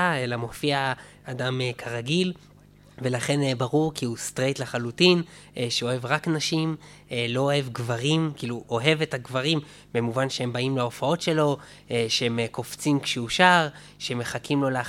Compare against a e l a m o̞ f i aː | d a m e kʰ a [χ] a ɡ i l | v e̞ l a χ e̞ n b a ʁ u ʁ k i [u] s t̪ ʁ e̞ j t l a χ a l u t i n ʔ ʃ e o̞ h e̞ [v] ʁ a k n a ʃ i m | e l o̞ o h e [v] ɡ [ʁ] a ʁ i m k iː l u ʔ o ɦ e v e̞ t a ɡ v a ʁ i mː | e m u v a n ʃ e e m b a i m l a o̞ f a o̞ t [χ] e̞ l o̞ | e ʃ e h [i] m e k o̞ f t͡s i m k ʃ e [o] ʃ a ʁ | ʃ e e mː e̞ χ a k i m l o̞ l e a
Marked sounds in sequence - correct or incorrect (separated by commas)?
incorrect, correct, correct, correct, incorrect, incorrect, incorrect, incorrect